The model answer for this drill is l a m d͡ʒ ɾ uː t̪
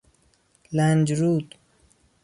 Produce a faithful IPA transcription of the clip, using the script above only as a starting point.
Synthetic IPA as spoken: l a n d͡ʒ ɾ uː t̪